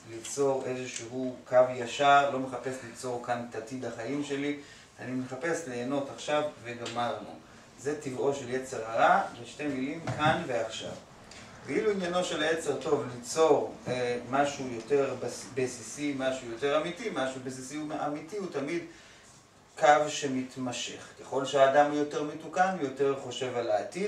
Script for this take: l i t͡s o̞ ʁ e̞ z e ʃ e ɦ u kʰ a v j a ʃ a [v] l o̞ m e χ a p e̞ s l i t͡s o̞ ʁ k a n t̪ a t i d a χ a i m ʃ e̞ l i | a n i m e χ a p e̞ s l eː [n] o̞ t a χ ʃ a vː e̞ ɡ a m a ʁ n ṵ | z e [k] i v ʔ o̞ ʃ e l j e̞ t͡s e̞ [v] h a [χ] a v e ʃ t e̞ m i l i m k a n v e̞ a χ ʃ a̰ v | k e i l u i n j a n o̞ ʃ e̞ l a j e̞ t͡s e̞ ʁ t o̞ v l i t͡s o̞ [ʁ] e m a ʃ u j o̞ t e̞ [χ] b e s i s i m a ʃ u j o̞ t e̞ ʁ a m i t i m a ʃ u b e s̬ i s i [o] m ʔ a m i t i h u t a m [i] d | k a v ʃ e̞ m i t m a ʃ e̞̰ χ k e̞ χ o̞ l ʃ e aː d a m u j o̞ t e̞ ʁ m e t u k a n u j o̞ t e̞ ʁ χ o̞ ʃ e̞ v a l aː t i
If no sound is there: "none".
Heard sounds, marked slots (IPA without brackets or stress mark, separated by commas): ʁ, n, t, ʁ, ʁ, ʁ, ʁ, u, i